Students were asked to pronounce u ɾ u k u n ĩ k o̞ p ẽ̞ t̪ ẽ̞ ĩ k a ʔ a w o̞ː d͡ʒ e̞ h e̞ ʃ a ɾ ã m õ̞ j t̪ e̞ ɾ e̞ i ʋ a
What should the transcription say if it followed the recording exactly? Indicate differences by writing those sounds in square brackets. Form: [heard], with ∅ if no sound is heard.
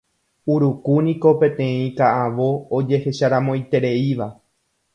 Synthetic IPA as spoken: u ɾ u k u n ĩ k o̞ p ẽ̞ t̪ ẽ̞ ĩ k a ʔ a [ʋ] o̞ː d͡ʒ e̞ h e̞ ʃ a ɾ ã m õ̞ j t̪ e̞ ɾ e̞ i ʋ a